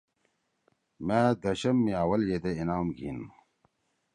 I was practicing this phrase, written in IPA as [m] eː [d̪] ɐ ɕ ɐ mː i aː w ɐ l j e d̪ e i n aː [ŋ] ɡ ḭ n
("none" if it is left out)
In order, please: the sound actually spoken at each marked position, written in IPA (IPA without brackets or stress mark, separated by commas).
m, d̪, m